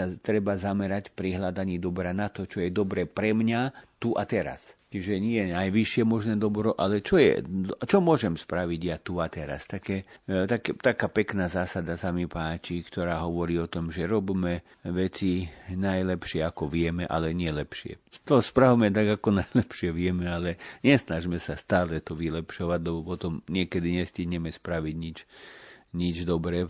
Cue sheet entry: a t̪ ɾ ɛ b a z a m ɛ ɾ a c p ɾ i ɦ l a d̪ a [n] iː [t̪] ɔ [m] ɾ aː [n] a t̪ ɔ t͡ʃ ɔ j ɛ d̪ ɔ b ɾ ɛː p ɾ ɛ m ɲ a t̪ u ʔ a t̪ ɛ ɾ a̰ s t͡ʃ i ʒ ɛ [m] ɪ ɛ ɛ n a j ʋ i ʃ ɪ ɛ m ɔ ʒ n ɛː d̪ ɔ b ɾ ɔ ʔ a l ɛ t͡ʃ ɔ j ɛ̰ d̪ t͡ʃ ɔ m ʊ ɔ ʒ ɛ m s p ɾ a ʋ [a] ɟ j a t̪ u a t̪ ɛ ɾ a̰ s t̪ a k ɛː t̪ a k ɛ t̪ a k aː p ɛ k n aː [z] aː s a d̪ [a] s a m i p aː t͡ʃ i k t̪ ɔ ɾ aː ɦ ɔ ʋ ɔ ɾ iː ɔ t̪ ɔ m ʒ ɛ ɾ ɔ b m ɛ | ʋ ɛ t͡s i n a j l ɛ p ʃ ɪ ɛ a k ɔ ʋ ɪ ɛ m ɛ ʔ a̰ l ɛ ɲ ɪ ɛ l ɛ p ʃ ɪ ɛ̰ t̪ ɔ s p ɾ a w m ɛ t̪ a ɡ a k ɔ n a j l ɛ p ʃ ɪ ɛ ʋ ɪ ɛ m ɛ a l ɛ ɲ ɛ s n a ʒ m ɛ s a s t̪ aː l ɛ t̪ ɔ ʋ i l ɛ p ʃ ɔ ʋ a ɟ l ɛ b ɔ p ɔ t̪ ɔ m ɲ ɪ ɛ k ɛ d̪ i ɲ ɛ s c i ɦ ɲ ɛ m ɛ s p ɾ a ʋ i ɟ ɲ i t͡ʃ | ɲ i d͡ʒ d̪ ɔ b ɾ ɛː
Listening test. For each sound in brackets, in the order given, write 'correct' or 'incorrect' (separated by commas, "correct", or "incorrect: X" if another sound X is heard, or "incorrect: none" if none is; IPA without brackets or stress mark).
incorrect: ɲ, incorrect: d̪, incorrect: b, correct, incorrect: ɲ, incorrect: i, correct, correct